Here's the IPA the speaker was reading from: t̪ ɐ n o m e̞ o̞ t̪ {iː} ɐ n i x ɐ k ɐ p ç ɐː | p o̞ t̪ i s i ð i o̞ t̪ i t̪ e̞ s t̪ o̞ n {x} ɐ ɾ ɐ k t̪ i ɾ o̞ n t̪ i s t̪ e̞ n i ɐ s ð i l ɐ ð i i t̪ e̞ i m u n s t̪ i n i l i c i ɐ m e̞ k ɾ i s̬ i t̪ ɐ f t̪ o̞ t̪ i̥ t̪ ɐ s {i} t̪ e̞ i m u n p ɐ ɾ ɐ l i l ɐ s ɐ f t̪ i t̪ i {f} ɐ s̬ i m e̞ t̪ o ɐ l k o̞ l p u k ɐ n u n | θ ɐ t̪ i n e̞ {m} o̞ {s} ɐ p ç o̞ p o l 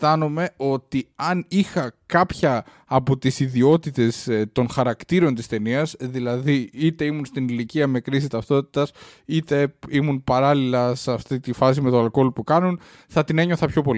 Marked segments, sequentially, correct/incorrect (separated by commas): incorrect, correct, correct, correct, incorrect, incorrect